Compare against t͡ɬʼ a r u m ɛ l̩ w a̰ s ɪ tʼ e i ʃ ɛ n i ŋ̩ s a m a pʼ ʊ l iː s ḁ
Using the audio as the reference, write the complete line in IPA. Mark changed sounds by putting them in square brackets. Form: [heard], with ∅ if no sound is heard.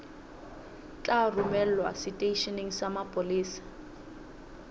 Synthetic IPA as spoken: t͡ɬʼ a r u m ɛ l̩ w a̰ s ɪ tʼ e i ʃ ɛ n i ŋ̩ s a m a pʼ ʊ l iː s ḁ